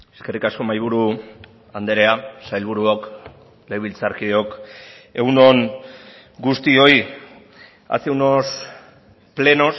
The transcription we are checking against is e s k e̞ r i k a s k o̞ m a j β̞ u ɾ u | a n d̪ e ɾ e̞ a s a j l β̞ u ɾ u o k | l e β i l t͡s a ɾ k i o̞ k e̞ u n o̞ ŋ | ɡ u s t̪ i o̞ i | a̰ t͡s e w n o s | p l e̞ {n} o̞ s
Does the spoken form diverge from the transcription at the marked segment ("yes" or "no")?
no